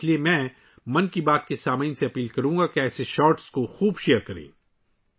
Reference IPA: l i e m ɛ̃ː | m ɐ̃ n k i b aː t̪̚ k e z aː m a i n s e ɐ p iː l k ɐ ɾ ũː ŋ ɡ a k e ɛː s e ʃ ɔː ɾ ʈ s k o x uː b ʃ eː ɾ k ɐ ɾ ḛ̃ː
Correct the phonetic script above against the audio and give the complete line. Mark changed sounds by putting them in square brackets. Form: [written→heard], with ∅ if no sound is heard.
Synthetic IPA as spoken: l i e m ɛ̃ː | m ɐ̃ n k i b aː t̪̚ k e [z→s] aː m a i n s e ɐ p iː l k ɐ ɾ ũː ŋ ɡ a k e ɛː s e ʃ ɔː ɾ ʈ s k o x uː b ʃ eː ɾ k ɐ ɾ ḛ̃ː